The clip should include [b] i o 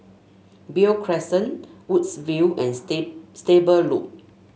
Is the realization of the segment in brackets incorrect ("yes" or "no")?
no